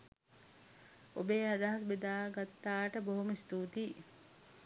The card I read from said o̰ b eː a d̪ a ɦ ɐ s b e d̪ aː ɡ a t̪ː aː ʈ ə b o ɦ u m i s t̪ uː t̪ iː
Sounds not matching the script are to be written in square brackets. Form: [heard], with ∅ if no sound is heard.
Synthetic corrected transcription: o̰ b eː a d̪ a ɦ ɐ s b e d̪ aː ɡ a t̪ː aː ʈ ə b o ɦ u m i s t̪ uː t̪ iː